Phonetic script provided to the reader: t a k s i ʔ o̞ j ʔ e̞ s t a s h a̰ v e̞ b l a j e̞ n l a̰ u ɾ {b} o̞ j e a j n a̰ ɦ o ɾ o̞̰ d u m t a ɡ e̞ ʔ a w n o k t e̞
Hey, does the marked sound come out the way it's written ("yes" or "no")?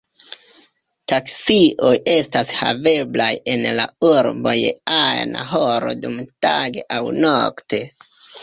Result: yes